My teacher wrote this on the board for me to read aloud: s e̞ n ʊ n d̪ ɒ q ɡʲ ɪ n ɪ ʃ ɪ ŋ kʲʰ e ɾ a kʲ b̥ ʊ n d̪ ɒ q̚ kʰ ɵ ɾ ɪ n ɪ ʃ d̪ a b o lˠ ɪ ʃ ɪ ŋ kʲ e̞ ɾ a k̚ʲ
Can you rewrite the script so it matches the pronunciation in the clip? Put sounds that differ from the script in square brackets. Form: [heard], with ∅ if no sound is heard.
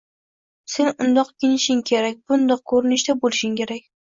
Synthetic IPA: s e̞ n ʊ n d̪ ɒ q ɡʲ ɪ n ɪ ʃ ɪ ŋ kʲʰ e ɾ a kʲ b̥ ʊ n d̪ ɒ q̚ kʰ ɵ ɾ ɪ n ɪ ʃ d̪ a b o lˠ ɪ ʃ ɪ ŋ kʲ e̞ ɾ a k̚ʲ